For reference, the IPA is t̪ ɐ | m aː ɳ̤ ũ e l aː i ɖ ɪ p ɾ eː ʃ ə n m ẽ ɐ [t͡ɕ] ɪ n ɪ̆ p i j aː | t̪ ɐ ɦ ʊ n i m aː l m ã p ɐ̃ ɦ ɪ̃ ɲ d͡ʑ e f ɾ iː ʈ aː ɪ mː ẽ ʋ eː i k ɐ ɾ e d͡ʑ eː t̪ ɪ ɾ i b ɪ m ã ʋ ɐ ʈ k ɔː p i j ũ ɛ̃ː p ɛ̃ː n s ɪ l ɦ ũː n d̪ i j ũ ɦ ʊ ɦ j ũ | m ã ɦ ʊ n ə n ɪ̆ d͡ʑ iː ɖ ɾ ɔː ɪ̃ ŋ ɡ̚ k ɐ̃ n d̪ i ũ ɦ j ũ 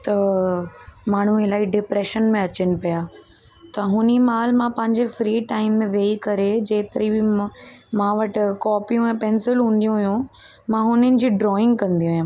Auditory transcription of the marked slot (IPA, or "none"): t͡ɕ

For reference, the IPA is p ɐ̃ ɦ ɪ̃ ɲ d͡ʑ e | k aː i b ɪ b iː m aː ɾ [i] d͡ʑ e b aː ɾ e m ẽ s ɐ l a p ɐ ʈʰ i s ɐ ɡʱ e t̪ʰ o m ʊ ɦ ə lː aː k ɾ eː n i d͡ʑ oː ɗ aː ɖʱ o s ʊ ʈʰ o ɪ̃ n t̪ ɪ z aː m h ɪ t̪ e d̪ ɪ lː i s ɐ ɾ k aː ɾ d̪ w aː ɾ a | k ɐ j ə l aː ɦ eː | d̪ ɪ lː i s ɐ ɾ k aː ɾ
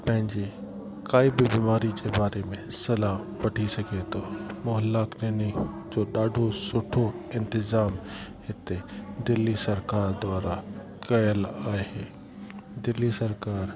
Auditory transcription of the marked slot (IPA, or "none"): i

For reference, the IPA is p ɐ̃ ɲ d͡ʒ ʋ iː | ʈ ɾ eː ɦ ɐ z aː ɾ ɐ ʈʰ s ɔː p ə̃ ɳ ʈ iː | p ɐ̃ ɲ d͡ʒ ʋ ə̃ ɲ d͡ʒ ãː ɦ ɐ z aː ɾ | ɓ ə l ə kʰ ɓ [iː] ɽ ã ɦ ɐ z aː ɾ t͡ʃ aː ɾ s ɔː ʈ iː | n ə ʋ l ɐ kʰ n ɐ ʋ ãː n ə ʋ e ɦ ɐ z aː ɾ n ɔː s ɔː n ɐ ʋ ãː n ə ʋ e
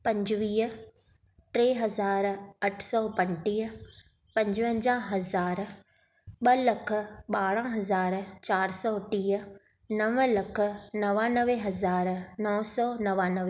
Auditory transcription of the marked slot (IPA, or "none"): aː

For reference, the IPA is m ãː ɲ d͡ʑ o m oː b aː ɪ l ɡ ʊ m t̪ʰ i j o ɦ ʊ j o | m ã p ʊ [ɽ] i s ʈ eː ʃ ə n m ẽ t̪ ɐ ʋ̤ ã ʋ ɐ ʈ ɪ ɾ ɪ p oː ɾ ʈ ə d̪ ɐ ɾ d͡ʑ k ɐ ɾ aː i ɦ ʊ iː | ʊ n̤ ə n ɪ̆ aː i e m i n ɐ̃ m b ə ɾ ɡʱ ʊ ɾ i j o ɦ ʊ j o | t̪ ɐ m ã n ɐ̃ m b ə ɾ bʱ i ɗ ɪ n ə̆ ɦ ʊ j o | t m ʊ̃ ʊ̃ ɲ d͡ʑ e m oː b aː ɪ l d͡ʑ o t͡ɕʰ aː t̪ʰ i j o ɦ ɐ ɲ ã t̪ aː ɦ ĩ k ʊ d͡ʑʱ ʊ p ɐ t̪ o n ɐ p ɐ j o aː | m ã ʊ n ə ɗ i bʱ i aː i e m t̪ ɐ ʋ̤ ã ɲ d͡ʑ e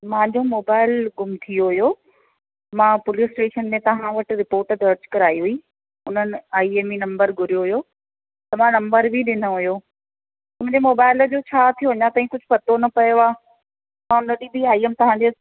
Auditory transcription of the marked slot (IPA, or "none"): l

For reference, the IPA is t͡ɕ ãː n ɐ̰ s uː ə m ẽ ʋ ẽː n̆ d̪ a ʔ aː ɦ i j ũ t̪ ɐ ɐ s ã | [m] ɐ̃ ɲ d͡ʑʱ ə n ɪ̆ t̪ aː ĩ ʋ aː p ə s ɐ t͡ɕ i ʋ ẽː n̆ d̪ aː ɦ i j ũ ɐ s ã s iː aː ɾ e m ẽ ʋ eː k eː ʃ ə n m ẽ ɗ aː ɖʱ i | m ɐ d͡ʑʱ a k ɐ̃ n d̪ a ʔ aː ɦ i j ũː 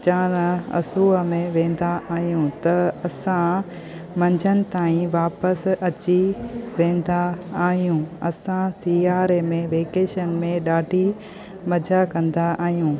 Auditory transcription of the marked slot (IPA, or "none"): m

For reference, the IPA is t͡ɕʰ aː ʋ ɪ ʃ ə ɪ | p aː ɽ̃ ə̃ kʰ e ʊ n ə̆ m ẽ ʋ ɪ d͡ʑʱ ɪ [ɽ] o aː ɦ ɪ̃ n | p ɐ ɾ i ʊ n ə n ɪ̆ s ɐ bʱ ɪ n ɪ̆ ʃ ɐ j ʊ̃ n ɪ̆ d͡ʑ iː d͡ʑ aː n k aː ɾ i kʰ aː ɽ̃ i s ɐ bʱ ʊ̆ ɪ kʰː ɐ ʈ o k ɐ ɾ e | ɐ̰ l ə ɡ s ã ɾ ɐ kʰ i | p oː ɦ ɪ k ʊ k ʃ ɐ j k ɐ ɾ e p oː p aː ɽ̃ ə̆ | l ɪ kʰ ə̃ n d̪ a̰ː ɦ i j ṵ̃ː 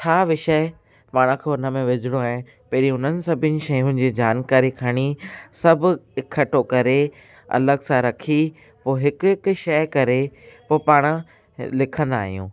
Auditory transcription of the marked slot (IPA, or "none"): ɽ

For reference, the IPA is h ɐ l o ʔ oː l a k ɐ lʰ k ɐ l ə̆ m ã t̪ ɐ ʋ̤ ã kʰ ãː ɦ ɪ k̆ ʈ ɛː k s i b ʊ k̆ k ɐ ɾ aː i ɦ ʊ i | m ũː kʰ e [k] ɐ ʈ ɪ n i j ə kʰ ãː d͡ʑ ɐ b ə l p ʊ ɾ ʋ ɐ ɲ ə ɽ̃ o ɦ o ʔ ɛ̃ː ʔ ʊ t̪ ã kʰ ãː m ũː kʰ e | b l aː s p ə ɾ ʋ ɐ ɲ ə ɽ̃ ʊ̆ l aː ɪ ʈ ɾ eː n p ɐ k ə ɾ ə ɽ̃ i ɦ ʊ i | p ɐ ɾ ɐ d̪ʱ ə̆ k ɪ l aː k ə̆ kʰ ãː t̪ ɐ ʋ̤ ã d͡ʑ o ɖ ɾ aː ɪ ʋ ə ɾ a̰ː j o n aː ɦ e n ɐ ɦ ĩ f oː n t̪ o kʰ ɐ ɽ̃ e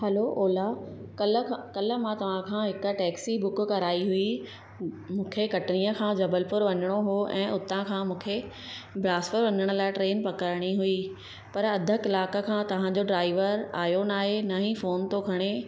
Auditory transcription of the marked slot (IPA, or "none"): k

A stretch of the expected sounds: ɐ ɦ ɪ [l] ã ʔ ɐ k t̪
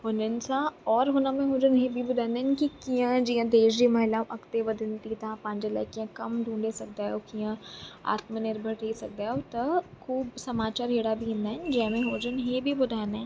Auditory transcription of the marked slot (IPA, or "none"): l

